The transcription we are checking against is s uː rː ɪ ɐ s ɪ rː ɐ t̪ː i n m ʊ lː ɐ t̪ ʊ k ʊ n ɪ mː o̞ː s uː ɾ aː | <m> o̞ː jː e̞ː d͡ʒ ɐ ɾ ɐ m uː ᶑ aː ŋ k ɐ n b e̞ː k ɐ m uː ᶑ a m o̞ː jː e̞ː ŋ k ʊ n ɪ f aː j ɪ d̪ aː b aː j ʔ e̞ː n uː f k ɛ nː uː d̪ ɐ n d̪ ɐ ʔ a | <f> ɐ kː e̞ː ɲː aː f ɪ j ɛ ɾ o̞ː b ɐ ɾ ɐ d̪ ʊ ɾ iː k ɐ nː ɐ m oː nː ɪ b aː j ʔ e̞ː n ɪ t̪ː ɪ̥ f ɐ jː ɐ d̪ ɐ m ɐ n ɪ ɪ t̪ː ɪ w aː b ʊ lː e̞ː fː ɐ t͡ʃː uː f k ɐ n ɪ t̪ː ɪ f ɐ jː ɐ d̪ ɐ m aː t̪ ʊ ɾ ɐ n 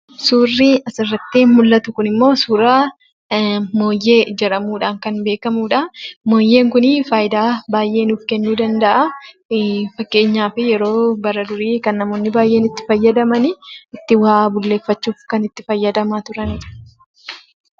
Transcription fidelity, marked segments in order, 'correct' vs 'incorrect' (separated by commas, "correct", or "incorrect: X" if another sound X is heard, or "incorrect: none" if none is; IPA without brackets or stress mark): correct, correct